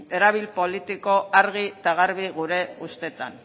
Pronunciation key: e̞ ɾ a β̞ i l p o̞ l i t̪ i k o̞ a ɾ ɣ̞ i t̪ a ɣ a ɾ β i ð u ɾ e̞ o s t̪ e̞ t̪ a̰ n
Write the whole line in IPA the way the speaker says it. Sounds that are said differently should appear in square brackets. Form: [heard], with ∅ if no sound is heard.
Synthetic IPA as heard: e̞ ɾ a β̞ i l p o̞ l i t̪ i k o̞ a ɾ ɣ̞ i t̪ a ɣ a ɾ β i [ɣ] u ɾ e̞ [u] s t̪ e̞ t̪ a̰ n